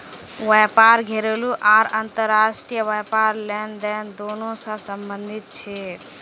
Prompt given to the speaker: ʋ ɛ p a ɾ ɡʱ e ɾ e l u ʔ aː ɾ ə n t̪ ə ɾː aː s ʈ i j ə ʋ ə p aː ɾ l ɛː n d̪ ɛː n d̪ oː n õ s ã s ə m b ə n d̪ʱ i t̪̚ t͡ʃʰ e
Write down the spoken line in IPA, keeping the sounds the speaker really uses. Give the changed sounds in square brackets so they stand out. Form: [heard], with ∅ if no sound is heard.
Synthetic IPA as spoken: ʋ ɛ p a ɾ ɡʱ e ɾ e l u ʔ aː ɾ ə n t̪ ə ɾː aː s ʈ i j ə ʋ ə p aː ɾ l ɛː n d̪ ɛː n d̪ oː n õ s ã s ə m b ə n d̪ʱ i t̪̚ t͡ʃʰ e